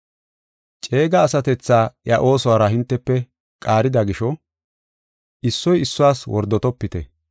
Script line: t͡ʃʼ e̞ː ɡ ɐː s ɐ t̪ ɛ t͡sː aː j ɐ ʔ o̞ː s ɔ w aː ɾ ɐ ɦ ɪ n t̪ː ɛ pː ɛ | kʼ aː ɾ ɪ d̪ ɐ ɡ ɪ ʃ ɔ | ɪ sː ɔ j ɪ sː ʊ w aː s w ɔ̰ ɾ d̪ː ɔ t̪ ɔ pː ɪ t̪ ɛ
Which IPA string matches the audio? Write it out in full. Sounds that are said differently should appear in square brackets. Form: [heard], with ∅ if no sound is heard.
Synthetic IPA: t͡ʃʼ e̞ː ɡ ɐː s ɐ t̪ ɛ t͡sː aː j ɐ ʔ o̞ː s ɔ w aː ɾ ɐ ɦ ɪ n t̪ː ɛ pː ɛ | kʼ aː ɾ ɪ d̪ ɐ ɡ ɪ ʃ ɔ | ɪ sː ɔ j ɪ sː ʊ w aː s w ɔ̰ ɾ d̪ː ɔ t̪ ɔ pː ɪ t̪ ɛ

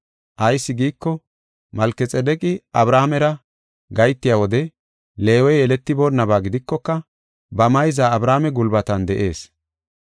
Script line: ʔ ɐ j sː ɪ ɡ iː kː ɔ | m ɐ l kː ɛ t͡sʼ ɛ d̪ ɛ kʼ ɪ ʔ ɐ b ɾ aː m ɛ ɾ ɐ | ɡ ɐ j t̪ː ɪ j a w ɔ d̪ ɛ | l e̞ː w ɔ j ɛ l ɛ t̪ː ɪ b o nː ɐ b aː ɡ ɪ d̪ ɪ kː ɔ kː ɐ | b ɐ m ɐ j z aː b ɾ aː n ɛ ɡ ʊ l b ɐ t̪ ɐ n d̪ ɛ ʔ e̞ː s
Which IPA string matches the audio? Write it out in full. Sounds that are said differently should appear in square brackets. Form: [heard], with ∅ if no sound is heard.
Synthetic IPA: ʔ ɐ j sː ɪ ɡ iː kː ɔ | m ɐ l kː ɛ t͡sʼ ɛ d̪ ɛ kʼ ɪ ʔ ɐ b ɾ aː m ɛ ɾ ɐ | ɡ ɐ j t̪ː ɪ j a w ɔ d̪ ɛ | l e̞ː w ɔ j ɛ l ɛ t̪ː ɪ b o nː ɐ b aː ɡ ɪ d̪ ɪ kː ɔ kː ɐ | b ɐ m ɐ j z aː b ɾ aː [m] ɛ ɡ ʊ l b ɐ t̪ ɐ n d̪ ɛ ʔ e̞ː s

